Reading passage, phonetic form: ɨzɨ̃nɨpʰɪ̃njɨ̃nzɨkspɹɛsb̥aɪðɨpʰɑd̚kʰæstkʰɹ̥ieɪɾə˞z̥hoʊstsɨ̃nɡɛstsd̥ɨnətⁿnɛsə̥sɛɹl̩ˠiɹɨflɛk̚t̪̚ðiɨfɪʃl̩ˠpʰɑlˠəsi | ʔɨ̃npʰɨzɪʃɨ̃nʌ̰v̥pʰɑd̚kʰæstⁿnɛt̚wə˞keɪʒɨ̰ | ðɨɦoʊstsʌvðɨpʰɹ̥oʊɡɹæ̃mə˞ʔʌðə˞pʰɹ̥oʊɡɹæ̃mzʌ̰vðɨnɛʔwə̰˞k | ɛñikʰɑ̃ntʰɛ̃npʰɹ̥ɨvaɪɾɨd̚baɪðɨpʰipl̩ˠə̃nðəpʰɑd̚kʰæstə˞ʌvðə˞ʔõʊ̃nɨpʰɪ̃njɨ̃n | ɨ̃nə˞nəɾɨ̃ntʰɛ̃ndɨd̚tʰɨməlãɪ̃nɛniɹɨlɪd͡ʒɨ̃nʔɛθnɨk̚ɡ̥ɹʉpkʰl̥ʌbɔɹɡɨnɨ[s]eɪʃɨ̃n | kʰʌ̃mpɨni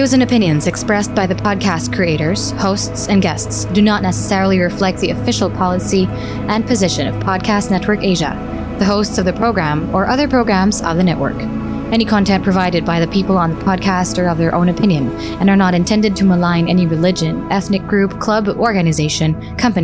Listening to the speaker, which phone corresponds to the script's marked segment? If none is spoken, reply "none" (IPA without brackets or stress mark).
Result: z